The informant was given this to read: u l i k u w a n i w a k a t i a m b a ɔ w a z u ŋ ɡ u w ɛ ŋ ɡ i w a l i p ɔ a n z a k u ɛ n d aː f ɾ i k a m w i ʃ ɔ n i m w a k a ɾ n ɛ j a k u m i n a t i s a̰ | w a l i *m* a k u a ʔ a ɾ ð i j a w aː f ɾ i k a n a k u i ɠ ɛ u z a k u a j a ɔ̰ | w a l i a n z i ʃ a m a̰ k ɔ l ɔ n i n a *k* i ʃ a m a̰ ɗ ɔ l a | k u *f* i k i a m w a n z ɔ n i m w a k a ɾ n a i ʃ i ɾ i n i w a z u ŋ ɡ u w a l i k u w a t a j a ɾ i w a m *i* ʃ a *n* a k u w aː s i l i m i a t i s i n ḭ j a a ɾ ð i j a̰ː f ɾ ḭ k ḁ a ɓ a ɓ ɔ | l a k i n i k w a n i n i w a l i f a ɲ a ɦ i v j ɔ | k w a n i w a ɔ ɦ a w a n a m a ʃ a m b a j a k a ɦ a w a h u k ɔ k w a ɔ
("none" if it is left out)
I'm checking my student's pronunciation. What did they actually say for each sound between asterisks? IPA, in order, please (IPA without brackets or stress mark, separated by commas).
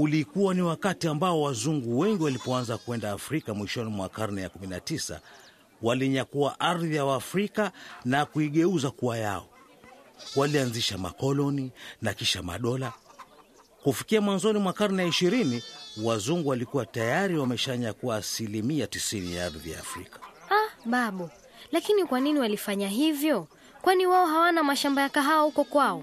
ɲ, k, f, ɛ, ɲ